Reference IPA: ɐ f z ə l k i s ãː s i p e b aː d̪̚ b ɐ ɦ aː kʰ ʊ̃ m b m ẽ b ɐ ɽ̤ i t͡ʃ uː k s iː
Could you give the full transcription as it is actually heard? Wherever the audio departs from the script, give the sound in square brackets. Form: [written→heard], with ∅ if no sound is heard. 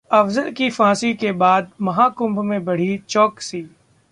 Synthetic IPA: ɐ f z ə l k i [s→f] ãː s i [p→k] e b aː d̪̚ [b→m] ɐ ɦ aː [kʰ→k] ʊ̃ m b m ẽ b ɐ ɽ̤ i t͡ʃ [uː→ɔː] k s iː